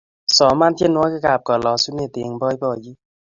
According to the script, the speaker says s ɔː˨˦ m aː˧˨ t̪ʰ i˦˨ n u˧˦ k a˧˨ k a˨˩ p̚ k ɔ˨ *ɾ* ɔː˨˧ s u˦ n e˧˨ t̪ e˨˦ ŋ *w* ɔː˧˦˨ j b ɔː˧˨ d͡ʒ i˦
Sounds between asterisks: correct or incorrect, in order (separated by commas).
incorrect, incorrect